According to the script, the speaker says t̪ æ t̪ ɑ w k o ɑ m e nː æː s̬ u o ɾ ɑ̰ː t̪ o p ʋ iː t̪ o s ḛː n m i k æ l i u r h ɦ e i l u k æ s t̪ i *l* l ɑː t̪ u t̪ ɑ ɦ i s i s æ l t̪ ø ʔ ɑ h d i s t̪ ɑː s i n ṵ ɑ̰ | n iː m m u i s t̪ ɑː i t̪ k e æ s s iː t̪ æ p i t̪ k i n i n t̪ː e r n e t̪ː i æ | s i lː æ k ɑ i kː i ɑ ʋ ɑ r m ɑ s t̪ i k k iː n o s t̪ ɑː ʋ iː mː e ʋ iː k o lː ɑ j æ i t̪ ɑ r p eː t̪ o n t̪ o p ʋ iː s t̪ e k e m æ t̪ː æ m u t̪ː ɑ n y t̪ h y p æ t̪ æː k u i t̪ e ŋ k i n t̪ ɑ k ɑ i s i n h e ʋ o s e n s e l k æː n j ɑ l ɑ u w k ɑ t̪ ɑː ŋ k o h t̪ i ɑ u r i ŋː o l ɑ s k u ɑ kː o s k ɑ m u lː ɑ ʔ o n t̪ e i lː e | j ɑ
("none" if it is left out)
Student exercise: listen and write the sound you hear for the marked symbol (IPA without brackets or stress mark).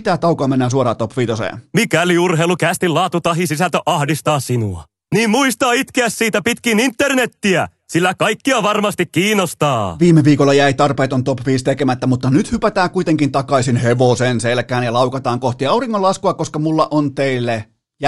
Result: l